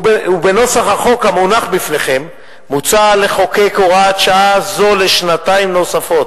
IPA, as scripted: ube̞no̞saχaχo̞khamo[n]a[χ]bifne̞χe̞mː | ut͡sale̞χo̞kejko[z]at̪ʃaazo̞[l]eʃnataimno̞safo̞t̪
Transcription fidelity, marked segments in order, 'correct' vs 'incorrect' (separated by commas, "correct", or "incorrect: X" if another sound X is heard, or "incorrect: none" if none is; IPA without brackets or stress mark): correct, correct, incorrect: ʁ, correct